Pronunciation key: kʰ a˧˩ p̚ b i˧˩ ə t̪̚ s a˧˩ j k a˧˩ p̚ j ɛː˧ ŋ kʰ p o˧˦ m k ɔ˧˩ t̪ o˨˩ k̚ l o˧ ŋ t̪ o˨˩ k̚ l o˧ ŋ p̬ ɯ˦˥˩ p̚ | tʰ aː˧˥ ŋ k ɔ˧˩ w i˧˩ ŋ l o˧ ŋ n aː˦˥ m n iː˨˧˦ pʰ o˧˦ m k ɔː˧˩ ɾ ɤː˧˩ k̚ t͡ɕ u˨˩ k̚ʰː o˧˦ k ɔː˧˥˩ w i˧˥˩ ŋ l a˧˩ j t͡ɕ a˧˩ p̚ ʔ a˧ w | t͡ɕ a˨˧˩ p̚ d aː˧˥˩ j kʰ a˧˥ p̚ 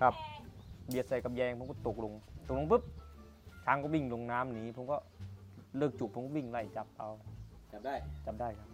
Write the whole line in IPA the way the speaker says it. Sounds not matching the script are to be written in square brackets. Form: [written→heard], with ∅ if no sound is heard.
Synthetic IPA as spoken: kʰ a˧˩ p̚ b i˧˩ ə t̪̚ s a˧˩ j k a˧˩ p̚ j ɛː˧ ŋ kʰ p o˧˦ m k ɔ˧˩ t̪ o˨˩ k̚ l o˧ ŋ t̪ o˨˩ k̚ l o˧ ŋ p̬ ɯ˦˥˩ p̚ | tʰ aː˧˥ ŋ k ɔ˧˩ w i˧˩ ŋ l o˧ ŋ n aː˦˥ m n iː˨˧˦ pʰ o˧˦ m k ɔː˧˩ [ɾ→l] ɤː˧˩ k̚ t͡ɕ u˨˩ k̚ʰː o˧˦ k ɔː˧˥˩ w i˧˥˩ ŋ l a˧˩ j t͡ɕ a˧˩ p̚ ʔ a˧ w | t͡ɕ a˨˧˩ p̚ d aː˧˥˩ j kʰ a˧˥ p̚